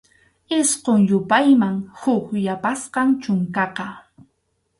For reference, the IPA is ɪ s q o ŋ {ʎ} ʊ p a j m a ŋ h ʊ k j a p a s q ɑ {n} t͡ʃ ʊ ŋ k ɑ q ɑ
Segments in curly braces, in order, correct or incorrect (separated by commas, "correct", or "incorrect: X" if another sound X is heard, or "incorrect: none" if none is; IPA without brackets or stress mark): incorrect: j, incorrect: ŋ